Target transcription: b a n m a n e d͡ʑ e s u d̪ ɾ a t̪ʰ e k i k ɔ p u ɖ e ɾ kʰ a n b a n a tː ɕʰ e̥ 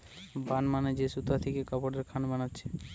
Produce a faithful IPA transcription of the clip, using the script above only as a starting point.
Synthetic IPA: b a n m a n e d͡ʑ e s u t̪ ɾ a t̪ʰ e k e k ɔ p o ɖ e ɾ kʰ a n b a n a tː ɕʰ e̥